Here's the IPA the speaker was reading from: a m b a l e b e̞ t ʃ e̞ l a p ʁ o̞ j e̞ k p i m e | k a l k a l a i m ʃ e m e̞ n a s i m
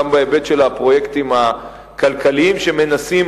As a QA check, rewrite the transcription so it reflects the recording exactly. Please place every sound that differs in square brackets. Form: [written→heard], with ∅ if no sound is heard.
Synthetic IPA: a m b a [l→∅] e b e̞ t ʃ e̞ l a p ʁ o̞ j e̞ k [p→t] i m [e→a] | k a l k a l [a→i] i m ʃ e m e̞ n a s i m